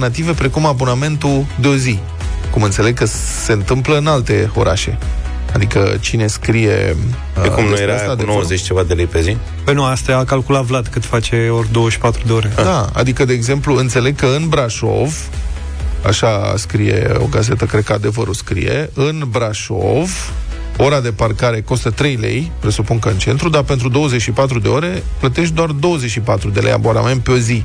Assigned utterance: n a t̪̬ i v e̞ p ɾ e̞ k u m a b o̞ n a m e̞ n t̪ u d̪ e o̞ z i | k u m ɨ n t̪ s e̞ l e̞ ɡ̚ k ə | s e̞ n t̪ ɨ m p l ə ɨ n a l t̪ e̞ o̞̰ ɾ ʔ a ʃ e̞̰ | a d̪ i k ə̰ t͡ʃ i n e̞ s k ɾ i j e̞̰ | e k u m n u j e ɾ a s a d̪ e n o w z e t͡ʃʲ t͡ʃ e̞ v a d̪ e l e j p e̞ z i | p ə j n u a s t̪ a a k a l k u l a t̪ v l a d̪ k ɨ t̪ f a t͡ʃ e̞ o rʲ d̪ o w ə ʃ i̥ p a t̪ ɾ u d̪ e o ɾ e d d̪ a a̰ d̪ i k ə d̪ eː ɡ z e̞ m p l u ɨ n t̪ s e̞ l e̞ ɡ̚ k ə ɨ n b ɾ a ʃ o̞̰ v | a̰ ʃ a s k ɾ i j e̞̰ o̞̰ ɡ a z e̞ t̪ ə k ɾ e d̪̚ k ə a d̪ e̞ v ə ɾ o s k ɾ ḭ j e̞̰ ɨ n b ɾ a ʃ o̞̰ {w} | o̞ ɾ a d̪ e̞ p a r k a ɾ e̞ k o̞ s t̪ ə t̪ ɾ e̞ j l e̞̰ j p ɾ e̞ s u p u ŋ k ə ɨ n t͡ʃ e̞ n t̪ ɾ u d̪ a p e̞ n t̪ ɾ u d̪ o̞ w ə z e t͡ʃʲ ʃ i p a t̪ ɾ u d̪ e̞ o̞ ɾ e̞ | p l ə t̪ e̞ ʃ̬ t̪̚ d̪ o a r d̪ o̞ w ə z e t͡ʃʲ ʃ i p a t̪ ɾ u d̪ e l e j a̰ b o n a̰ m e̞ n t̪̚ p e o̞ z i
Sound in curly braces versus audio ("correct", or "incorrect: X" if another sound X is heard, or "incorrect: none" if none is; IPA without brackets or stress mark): incorrect: v